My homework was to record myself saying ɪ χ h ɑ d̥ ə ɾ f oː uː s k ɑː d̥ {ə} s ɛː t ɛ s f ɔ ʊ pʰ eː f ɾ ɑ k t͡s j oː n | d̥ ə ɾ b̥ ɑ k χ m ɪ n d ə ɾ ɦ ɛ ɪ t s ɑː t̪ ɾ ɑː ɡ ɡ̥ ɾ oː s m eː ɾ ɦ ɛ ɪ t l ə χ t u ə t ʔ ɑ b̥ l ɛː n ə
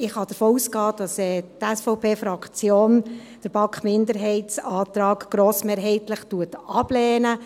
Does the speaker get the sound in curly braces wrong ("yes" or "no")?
yes